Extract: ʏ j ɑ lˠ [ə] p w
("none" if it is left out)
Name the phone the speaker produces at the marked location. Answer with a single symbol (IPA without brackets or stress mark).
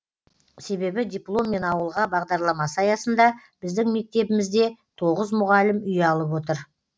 ə